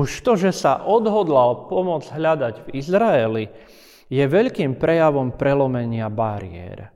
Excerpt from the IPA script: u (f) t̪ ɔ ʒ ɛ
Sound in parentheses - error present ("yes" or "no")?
yes